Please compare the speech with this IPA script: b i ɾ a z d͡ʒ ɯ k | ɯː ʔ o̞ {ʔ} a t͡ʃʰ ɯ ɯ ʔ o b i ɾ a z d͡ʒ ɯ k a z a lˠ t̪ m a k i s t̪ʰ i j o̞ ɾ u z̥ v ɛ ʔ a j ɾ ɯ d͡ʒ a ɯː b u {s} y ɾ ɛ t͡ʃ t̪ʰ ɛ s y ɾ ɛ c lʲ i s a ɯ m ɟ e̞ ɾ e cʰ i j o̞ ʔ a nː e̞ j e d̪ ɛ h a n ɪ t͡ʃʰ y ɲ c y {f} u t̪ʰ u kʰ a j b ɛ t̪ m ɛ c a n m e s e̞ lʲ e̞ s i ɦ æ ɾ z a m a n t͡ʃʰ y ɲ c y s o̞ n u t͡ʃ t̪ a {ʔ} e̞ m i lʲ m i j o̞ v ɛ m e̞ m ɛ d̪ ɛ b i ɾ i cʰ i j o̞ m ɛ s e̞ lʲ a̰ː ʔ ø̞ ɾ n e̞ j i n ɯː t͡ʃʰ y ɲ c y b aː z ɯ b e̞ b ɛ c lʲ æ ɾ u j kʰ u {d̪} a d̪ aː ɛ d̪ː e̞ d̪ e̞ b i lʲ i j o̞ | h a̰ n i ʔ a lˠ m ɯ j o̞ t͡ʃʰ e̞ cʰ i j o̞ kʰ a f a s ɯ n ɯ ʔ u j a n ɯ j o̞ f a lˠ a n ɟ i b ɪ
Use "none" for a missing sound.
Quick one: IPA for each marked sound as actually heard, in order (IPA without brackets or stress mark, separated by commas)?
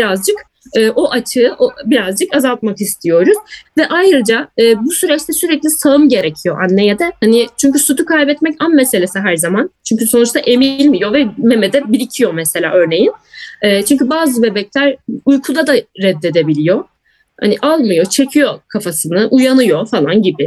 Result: ʔ, s, s, ʔ, d̪